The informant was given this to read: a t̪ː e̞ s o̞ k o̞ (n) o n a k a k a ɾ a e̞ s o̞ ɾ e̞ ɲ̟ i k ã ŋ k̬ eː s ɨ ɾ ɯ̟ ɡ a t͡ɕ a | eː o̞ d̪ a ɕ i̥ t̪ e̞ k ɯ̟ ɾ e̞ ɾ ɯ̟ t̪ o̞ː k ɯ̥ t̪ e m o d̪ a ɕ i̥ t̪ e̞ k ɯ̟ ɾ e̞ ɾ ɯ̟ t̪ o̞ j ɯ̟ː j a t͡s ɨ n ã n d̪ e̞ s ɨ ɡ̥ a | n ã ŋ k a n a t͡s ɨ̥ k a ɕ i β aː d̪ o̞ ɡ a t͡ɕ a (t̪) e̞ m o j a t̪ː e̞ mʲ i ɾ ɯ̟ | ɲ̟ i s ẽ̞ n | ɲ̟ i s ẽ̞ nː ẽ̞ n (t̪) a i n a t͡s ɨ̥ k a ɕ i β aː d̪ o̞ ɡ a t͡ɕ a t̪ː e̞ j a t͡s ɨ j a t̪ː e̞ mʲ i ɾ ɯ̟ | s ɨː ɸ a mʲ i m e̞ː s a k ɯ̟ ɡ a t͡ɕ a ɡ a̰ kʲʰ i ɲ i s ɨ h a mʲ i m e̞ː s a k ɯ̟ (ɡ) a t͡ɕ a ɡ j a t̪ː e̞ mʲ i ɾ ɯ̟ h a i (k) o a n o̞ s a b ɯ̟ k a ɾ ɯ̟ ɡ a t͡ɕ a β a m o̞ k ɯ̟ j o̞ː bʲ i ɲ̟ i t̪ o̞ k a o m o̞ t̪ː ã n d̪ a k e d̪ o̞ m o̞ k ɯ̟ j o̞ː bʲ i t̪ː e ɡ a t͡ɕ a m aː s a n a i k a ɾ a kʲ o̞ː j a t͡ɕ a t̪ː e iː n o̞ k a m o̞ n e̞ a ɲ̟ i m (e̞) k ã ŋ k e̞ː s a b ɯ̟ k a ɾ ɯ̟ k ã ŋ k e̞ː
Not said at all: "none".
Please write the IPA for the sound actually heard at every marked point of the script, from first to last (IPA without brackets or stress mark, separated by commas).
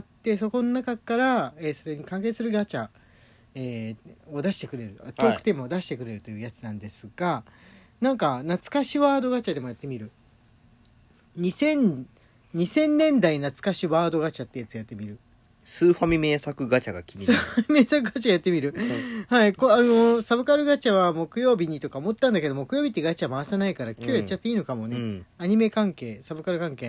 n, d̪, d̪, ɡ, k, e̞